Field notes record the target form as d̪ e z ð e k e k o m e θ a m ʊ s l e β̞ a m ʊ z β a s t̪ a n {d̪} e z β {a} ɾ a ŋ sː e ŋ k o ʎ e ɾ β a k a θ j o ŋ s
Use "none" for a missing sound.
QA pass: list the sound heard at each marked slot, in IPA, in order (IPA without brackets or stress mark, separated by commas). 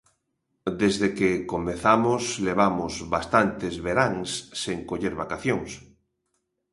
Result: t̪, e